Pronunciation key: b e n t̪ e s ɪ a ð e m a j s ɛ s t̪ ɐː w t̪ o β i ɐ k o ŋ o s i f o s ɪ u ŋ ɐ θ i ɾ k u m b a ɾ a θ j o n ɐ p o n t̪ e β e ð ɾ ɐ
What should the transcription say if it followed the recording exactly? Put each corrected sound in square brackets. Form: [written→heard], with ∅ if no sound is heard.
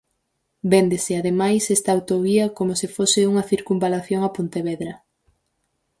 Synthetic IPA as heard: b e n [t̪→d̪] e s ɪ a ð e m a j s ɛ s t̪ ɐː w t̪ o β i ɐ k o [ŋ→m] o s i f o s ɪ u ŋ ɐ θ i ɾ k u m b a [ɾ→l] a θ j o [n→ŋ] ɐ p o n t̪ e β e ð ɾ ɐ